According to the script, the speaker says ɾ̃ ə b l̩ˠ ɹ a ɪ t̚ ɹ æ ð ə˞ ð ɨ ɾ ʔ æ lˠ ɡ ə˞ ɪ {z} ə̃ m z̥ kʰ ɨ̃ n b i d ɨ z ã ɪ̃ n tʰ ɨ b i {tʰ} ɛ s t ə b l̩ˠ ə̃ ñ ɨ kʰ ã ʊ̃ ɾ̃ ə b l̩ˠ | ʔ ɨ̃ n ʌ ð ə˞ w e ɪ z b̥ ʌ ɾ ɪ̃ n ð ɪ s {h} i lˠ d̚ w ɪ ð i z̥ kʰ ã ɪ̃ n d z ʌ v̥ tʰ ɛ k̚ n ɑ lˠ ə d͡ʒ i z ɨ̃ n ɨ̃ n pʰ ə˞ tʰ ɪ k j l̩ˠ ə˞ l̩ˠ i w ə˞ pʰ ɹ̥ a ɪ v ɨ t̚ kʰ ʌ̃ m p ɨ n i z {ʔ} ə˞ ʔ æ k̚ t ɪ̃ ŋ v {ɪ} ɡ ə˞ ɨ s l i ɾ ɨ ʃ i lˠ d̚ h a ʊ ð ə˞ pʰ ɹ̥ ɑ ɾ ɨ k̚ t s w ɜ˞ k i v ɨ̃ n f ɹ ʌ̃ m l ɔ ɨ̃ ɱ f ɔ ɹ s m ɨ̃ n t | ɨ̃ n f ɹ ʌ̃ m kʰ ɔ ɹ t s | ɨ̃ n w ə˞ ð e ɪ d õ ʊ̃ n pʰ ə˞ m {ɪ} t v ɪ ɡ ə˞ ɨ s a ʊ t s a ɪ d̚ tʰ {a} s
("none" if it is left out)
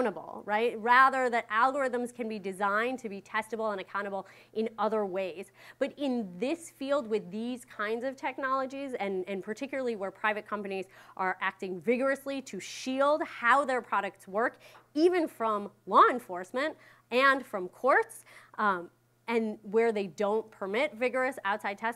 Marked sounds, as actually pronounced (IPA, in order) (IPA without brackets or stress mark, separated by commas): ð, tʰ, f, ʔ, ɪ, ɪ, ɛ